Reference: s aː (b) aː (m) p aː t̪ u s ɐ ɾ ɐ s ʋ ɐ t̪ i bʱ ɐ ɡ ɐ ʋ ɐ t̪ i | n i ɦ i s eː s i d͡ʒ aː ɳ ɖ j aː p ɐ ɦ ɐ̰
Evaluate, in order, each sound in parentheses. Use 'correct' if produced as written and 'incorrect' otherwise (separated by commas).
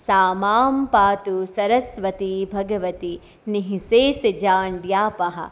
incorrect, correct